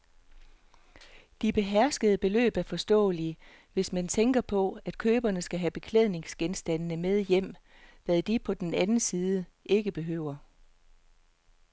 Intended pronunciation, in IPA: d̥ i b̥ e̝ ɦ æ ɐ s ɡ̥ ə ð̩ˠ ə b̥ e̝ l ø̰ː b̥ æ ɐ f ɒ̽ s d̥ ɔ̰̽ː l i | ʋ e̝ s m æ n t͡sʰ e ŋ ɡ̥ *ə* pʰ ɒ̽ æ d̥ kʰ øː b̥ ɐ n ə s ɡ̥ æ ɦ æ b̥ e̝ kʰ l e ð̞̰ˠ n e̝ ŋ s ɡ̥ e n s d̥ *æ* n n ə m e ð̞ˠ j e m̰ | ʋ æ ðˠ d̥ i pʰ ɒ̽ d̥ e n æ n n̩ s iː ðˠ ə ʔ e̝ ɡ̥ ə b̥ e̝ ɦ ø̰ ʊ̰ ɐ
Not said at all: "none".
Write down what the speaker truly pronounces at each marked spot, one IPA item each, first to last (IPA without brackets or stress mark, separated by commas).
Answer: ɐ, æ